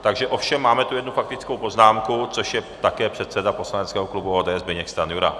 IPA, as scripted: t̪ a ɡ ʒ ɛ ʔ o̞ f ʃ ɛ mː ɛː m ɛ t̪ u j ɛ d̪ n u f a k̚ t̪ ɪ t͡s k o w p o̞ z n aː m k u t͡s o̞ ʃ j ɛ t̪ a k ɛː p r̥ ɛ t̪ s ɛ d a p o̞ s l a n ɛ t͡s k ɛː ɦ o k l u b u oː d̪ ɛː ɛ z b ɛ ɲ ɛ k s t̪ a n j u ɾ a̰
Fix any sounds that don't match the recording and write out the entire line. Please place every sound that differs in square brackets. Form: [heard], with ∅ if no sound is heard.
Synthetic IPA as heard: t̪ a ɡ ʒ ɛ ʔ o̞ f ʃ ɛ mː [aː] m ɛ t̪ u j ɛ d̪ n u f a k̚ t̪ ɪ t͡s k o w p o̞ z n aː m k u t͡s o̞ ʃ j ɛ t̪ a k ɛː p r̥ ɛ t̪ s ɛ d a p o̞ s l a n ɛ t͡s k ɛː ɦ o k l u b u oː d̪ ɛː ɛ z b ɛ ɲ ɛ k s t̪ a n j u ɾ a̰